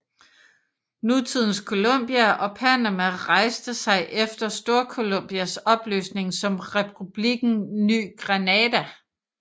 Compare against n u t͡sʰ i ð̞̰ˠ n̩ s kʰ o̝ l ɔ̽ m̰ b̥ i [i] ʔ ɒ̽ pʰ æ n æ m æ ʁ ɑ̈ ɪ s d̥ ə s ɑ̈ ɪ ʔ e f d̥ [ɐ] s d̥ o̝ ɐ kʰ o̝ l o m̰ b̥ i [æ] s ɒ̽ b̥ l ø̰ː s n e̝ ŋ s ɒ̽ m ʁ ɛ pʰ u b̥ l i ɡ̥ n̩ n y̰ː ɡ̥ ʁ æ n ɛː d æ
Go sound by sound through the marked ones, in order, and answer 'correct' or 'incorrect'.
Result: incorrect: æ, correct, correct

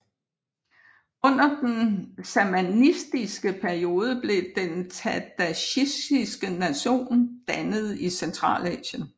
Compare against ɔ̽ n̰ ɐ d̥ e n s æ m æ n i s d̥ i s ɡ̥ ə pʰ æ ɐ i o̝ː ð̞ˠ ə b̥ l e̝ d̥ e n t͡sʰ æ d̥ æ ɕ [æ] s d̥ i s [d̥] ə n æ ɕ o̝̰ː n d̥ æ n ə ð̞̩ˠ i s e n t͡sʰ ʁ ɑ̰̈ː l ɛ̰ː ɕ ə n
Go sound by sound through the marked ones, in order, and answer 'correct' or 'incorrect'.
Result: incorrect: i, incorrect: ɡ̥

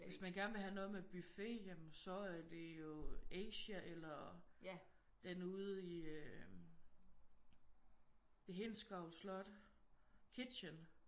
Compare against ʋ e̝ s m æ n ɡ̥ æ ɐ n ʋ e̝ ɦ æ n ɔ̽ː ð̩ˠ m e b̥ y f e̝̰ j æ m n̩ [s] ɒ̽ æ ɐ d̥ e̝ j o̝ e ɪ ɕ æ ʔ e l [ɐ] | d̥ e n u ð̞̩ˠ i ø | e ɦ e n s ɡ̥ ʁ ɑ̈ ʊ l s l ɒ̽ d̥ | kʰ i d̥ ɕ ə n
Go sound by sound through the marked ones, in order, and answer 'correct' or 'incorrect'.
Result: correct, correct

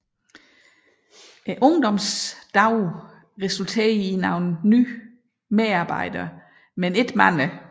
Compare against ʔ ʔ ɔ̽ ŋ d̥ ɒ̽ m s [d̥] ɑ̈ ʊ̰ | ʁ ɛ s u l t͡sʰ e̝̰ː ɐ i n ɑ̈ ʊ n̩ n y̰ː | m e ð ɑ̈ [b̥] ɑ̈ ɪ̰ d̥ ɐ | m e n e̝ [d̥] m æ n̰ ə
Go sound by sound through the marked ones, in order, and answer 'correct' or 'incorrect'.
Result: correct, correct, correct

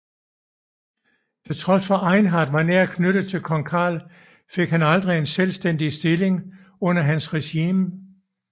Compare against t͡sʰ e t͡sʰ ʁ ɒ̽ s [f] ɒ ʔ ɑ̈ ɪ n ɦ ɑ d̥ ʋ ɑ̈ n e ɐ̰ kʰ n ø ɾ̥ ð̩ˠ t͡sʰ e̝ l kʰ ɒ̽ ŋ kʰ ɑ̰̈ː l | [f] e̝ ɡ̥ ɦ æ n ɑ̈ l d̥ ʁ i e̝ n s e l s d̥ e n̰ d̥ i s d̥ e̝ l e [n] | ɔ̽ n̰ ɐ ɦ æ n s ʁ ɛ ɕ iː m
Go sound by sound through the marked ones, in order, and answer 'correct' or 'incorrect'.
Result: correct, correct, incorrect: ŋ

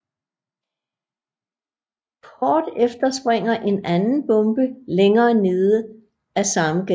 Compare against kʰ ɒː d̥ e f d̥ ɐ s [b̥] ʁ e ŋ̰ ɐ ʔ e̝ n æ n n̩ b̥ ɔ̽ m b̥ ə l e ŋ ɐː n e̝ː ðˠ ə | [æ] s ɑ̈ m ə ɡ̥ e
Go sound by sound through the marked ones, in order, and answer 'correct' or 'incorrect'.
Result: correct, correct

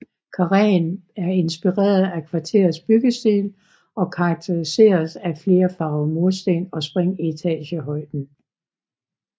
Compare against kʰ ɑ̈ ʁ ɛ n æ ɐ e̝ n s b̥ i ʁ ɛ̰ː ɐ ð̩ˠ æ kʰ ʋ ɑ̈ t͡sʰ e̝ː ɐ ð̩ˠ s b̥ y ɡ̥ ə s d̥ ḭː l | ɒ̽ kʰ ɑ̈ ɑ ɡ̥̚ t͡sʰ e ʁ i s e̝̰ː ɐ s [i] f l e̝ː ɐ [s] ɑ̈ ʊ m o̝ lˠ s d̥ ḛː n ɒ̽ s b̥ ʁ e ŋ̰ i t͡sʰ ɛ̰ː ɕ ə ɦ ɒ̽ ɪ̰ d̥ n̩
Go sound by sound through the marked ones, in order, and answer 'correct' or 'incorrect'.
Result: incorrect: æ, incorrect: f

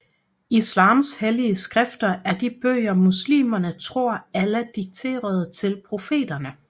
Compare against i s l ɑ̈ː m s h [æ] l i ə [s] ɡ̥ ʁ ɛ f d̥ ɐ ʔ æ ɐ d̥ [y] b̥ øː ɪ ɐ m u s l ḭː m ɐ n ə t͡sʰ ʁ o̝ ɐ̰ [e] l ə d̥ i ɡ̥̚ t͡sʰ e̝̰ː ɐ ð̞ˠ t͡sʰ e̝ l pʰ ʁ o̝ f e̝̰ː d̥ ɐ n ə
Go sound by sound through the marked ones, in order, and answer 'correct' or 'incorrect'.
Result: incorrect: e, correct, incorrect: i, incorrect: æ

